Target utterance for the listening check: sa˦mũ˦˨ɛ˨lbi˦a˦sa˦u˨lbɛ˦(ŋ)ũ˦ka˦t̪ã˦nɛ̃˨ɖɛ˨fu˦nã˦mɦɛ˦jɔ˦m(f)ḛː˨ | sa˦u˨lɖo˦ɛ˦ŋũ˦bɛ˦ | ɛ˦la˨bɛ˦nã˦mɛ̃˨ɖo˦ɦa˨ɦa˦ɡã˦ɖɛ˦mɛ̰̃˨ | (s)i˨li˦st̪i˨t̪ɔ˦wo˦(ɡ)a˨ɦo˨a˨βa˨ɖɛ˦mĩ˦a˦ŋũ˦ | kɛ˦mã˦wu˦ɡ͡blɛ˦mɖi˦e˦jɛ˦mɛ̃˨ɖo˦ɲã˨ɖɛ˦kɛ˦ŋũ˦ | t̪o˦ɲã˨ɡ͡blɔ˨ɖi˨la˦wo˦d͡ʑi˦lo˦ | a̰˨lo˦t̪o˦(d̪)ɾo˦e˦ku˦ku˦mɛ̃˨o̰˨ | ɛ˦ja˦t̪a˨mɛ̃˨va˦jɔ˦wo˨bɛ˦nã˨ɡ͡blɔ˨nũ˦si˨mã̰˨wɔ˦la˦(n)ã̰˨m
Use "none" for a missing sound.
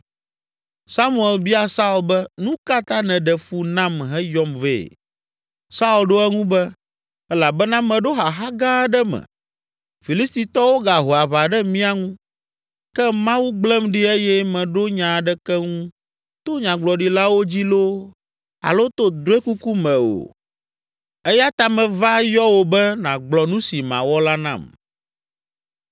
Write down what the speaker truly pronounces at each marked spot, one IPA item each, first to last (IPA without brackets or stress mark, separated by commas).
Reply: n, v, f, ɡ, d̪, n